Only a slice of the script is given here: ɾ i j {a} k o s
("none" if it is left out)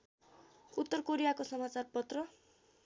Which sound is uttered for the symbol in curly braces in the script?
a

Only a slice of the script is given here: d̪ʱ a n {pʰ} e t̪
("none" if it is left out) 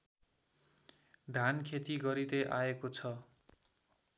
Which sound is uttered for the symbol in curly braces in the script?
kʰ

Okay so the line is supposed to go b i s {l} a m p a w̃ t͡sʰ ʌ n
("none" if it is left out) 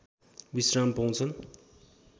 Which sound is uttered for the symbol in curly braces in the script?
r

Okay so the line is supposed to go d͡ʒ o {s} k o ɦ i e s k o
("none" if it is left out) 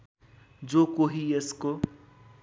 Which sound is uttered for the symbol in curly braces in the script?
none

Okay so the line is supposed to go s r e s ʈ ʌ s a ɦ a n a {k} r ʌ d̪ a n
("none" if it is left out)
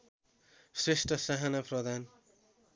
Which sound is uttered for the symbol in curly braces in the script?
p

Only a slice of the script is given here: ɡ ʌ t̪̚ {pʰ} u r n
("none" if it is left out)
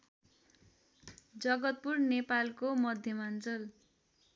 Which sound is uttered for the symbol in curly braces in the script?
p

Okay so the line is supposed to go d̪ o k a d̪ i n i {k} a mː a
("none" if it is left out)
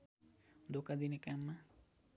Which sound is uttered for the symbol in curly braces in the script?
k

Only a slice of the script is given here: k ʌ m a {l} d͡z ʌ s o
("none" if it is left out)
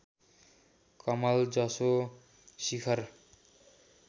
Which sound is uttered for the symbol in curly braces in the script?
l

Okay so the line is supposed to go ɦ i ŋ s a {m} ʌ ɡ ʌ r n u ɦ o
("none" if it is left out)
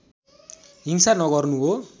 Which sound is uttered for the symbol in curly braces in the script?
n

